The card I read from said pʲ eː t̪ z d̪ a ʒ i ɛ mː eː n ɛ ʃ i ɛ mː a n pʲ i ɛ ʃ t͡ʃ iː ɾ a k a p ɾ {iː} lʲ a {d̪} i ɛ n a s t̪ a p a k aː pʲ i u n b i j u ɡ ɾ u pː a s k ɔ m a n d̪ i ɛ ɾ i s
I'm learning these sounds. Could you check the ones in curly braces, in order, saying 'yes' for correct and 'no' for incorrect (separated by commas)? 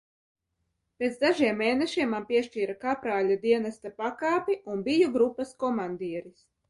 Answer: no, yes